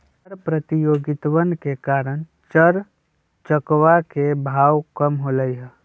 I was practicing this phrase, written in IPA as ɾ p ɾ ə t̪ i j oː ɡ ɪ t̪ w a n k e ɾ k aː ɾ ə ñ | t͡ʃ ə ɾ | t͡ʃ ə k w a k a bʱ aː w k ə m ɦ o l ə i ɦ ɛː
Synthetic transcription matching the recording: ɾ p ɾ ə t̪ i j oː ɡ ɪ t̪ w ə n k e k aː ɾ ə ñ | t͡ʃ ə ɾ | t͡ʃ ə k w a k e bʱ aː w k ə m ɦ o l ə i ɦ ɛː